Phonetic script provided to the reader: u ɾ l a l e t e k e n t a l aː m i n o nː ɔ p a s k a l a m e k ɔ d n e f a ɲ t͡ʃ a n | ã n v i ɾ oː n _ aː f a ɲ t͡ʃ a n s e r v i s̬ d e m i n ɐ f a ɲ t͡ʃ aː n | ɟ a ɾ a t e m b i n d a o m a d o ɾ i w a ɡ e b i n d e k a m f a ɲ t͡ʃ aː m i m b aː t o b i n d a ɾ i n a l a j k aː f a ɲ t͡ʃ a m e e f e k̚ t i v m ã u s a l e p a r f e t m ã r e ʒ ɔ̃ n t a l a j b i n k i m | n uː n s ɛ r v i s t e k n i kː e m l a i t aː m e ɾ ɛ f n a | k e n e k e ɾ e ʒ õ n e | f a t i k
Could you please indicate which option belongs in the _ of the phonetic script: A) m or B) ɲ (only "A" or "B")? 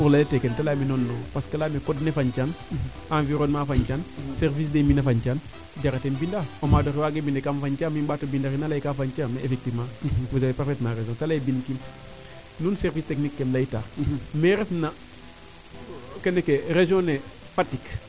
A